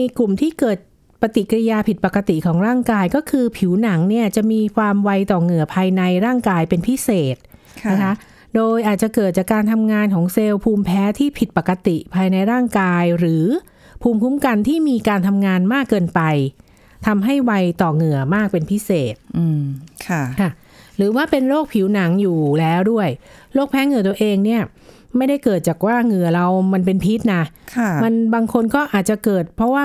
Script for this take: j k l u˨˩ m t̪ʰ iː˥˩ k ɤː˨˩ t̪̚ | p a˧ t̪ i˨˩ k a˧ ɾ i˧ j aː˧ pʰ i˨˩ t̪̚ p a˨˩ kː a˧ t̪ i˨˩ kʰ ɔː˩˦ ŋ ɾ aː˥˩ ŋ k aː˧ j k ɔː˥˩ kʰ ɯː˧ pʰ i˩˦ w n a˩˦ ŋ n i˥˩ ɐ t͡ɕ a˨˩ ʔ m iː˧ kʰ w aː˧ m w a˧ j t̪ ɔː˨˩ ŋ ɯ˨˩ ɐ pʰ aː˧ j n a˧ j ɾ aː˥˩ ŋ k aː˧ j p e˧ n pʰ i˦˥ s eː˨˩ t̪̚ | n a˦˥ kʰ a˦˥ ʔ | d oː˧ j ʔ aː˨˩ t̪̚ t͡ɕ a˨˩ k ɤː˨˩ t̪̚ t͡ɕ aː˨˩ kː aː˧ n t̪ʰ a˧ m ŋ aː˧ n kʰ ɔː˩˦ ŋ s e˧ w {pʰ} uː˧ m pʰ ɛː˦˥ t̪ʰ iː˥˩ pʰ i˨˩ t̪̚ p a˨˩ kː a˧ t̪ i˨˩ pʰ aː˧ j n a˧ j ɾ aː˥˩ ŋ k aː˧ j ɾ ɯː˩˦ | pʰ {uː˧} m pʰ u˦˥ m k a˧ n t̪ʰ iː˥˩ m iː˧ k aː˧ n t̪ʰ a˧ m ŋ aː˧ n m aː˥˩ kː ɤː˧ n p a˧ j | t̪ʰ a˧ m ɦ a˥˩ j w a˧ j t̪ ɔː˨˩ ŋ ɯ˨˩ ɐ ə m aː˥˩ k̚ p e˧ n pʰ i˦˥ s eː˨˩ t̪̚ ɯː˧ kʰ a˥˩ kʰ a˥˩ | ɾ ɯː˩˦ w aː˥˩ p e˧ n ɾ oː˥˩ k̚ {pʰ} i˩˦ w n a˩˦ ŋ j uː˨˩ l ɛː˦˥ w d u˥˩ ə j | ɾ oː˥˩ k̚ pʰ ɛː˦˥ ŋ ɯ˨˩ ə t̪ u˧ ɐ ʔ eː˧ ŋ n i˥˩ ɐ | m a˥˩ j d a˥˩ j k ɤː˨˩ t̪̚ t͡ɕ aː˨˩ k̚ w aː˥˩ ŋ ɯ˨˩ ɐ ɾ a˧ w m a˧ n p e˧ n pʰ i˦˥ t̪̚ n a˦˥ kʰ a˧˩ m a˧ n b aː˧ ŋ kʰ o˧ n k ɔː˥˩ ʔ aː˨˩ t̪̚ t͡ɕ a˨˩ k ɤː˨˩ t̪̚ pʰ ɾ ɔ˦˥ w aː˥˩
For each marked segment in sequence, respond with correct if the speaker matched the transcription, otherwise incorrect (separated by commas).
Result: correct, correct, correct